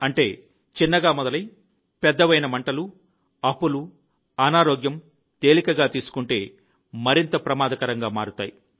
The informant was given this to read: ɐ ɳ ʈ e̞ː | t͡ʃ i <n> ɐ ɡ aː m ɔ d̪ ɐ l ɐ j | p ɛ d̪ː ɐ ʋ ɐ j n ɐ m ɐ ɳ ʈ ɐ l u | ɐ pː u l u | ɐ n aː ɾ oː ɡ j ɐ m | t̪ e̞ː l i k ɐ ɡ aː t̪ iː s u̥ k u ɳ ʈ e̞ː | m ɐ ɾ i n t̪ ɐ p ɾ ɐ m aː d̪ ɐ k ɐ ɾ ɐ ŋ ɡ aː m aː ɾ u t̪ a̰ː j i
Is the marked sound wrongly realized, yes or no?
yes